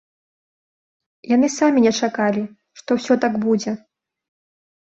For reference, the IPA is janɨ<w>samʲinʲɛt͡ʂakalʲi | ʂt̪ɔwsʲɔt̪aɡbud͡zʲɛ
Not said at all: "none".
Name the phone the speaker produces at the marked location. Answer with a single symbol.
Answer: none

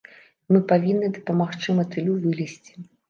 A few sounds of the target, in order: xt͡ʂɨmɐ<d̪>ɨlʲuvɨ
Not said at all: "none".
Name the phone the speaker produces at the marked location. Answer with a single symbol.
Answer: t̪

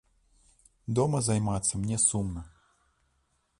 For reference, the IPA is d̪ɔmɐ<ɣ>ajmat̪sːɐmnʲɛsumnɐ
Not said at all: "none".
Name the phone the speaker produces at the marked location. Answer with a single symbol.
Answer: z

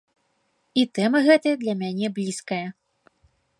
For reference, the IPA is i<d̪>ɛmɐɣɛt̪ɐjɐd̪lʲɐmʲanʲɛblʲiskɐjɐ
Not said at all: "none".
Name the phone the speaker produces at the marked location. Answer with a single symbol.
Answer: t̪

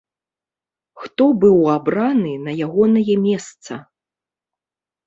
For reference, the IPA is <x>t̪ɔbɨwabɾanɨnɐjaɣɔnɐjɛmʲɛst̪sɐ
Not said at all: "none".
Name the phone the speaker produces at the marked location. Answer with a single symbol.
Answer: x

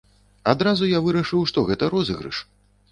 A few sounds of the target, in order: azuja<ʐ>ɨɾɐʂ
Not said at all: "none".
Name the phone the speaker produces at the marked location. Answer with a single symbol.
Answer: v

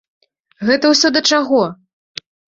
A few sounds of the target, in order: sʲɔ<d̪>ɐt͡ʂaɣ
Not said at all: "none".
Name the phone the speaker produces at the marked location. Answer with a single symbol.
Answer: d̪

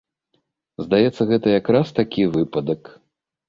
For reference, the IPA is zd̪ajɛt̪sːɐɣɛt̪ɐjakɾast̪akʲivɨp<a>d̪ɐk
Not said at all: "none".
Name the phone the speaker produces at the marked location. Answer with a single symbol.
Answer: ɐ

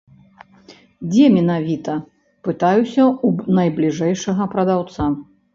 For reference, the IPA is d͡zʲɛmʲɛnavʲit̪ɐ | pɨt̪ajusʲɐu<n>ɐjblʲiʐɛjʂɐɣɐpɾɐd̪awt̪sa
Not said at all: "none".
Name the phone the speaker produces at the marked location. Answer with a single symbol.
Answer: n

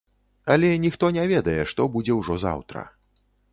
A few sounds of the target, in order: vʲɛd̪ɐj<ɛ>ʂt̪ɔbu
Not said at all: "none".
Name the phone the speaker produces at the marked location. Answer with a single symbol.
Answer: ɛ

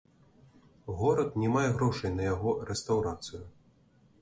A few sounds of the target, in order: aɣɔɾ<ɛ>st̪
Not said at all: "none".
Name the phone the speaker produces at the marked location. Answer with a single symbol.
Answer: ɛ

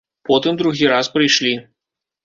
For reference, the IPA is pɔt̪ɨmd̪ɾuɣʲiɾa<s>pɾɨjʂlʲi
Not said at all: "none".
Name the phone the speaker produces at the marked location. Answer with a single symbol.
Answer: s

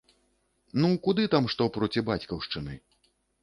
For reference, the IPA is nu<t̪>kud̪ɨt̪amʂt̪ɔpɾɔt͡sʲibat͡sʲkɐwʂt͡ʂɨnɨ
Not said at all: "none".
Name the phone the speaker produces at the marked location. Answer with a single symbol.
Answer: none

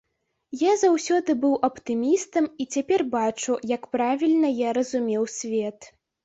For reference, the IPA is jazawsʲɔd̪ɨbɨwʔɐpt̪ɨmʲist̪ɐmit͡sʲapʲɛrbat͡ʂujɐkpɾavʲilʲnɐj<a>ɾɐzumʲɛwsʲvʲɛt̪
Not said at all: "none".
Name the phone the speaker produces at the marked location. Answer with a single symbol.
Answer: a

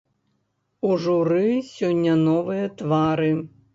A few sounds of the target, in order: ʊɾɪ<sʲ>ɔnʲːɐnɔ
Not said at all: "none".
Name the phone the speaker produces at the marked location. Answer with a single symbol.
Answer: sʲ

